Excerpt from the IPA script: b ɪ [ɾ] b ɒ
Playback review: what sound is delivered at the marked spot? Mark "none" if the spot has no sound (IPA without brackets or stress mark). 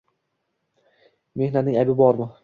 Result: none